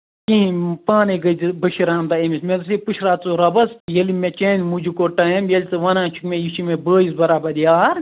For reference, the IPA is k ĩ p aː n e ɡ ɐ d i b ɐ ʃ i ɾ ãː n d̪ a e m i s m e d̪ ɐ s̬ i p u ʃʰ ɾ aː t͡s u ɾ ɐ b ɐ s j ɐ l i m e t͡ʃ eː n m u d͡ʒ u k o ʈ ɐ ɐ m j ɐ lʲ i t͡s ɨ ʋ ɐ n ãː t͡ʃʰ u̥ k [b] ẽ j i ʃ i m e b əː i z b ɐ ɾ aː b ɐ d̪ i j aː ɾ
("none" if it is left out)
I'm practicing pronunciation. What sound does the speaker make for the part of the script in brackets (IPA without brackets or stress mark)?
m